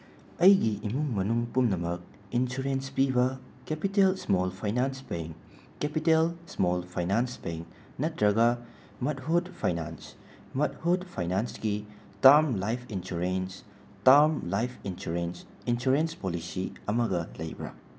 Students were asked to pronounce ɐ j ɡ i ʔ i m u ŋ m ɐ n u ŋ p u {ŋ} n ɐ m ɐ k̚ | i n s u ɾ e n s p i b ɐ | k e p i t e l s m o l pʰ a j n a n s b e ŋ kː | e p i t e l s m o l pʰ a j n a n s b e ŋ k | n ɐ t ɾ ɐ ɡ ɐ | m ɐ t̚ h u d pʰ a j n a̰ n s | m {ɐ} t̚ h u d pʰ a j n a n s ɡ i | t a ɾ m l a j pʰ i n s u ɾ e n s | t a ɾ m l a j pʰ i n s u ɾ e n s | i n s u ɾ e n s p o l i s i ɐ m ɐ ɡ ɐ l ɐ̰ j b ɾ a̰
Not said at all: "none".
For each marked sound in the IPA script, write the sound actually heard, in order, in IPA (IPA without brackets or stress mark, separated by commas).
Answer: m, ɐ